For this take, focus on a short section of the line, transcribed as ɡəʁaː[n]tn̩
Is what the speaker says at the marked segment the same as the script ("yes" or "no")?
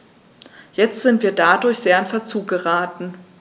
no